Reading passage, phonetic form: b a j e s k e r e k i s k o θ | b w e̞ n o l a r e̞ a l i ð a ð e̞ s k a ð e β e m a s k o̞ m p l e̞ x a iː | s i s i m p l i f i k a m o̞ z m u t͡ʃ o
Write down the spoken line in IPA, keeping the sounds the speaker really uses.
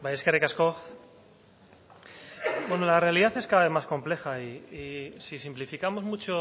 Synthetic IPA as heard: b a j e s k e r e k a s k o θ | b w e̞ n o l a r e̞ a l i ð a θ e̞ s k a ð a β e m a s k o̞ m p l e̞ x a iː | s i s i m p l i f i k a m o̞ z m u t͡ʃ o

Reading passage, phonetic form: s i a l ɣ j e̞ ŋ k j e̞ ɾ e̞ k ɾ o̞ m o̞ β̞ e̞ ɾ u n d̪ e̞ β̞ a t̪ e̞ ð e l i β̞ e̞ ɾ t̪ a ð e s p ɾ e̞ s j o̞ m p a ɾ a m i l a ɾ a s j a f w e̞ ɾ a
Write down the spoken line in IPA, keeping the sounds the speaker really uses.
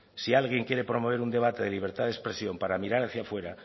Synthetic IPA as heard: s i a l ɣ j e̞ ŋ k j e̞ ɾ e̞ p ɾ o̞ m o̞ β̞ e̞ ɾ u n d̪ e̞ β̞ a t̪ e̞ ð e l i β̞ e̞ ɾ t̪ a ð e s p ɾ e̞ s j o̞ m p a ɾ a m i ɾ a ɾ a θ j a f w e̞ ɾ a

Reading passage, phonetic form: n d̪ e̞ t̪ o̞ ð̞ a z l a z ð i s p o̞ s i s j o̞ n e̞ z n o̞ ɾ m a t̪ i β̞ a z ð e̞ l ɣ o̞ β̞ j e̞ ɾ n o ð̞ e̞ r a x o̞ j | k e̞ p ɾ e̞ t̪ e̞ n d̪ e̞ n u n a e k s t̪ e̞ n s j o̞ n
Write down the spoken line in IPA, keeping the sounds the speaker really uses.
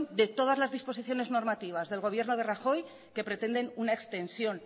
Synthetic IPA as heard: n d̪ e̞ t̪ o̞ ð̞ a z l a z ð i s p o̞ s i θ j o̞ n e̞ z n o̞ ɾ m a t̪ i β̞ a z ð e̞ l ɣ o̞ β̞ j e̞ ɾ n o ð̞ e̞ r a x o̞ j | k e̞ p ɾ e̞ t̪ e̞ n d̪ e̞ n u n a e k s t̪ e̞ n s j o̞ n

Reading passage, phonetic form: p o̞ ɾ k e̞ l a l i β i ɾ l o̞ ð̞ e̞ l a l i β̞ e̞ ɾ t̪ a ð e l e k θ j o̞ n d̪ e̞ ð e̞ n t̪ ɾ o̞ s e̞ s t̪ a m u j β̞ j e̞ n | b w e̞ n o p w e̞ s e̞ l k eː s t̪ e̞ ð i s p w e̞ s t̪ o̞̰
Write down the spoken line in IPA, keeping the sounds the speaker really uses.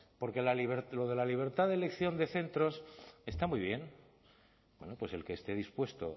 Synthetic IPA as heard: p o̞ ɾ k e̞ l a l i β e ɾ l o̞ ð̞ e̞ l a l i β̞ e̞ ɾ t̪ a ð e l e k θ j o̞ n d̪ e̞ θ e̞ n t̪ ɾ o̞ s e̞ s t̪ a m u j β̞ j e̞ n | b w e̞ n o p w e̞ s e̞ l k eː s t̪ e̞ ð i s p w e̞ s t̪ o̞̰

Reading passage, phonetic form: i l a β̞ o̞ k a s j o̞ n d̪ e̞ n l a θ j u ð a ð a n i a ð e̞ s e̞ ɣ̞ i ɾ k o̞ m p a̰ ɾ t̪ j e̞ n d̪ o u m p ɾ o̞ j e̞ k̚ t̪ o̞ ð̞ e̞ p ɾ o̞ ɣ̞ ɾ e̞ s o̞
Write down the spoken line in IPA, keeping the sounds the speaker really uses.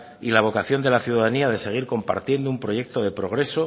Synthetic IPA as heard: i l a β̞ o̞ k a θ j o̞ n d̪ e̞ l a θ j u ð a ð a n i a ð e̞ s e̞ ɣ̞ i ɾ k o̞ m p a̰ ɾ t̪ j e̞ n d̪ o u m p ɾ o̞ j e̞ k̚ t̪ o̞ ð̞ e̞ p ɾ o̞ ɣ̞ ɾ e̞ s o̞

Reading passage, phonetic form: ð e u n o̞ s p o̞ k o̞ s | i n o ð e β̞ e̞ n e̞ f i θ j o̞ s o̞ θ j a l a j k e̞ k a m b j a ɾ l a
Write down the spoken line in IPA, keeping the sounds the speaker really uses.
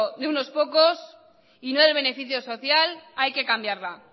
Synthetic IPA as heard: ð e u n o̞ s p o̞ k o̞ s | i n o ð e β̞ e̞ n e̞ f i θ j o̞ s o̞ θ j a l a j k e̞ k a m b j a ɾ l a

